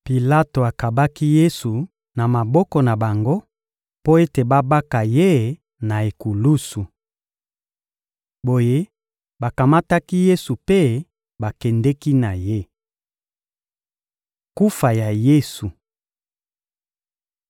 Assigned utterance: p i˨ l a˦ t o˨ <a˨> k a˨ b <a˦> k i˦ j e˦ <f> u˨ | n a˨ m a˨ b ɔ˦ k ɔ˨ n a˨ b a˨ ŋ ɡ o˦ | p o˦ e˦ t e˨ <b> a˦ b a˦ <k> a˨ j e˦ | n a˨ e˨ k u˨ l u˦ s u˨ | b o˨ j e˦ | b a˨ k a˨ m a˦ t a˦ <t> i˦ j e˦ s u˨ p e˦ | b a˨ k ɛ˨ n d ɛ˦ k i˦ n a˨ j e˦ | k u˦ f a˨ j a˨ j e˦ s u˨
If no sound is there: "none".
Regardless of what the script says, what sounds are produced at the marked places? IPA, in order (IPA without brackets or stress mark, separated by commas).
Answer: a˨, a˦, s, b, k, k